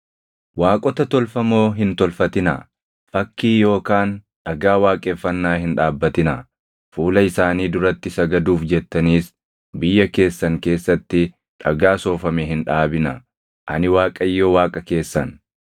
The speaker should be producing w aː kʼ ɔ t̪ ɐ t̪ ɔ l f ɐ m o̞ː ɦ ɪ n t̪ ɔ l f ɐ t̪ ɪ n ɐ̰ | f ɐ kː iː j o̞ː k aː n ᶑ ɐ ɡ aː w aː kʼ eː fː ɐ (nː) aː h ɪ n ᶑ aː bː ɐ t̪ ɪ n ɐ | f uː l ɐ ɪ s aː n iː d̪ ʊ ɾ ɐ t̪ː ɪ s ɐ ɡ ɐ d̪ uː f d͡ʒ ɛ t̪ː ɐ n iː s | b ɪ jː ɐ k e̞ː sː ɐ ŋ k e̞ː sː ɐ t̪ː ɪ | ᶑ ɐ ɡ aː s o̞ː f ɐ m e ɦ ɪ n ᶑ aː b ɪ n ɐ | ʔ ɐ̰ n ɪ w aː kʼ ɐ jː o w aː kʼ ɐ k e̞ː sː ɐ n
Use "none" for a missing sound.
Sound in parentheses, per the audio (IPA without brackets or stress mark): nː